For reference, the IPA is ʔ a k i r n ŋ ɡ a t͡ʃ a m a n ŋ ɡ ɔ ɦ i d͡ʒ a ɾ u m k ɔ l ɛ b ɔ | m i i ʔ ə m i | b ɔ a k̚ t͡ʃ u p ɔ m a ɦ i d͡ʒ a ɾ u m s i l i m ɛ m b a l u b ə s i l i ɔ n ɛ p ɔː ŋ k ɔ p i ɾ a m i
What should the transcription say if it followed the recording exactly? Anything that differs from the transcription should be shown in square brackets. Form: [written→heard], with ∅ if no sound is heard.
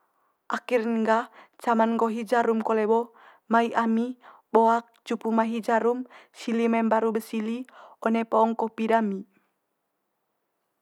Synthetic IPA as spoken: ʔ a k i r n ŋ ɡ a t͡ʃ a m a n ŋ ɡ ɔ ɦ i d͡ʒ a ɾ u m k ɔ l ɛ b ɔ | m [i→a] i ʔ [ə→a] m i | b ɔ a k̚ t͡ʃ u p [ɔ→u] m a ɦ i d͡ʒ a ɾ u m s i l i m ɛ m b a [l→ɾ] u b ə s i l i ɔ n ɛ p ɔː ŋ k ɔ p i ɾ a m i